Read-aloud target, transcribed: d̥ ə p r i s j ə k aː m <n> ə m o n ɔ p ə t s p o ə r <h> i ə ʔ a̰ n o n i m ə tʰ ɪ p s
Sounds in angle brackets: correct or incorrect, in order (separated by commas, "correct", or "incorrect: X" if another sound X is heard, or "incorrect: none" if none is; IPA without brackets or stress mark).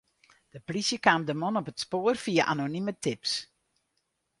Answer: incorrect: d, incorrect: f